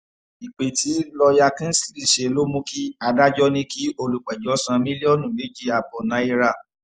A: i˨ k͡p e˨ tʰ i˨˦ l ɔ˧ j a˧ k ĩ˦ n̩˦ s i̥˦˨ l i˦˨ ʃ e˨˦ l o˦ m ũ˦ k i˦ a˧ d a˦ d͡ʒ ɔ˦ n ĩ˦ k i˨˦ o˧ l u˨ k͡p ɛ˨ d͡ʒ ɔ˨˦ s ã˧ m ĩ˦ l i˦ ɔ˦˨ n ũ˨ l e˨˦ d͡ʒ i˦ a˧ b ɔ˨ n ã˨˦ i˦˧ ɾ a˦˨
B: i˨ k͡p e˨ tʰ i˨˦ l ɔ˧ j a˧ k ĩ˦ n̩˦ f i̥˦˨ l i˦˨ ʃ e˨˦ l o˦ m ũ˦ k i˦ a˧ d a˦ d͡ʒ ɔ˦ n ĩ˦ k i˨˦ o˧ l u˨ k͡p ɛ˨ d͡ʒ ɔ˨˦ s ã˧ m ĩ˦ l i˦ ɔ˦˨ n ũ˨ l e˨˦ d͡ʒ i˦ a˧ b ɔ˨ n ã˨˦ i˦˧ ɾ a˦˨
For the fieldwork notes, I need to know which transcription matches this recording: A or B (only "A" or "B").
A